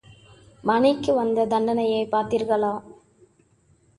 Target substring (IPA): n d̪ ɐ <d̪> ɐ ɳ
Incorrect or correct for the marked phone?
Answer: correct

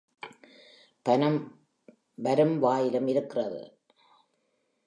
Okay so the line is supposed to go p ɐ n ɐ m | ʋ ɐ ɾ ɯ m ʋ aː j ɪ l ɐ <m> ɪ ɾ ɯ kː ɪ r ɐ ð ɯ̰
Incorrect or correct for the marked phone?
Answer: correct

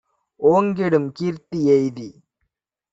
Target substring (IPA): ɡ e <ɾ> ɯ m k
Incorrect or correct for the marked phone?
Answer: incorrect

